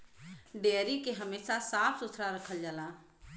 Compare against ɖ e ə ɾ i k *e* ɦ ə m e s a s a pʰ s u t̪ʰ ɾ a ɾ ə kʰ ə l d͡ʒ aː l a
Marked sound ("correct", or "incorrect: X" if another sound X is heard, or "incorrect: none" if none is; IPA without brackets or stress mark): correct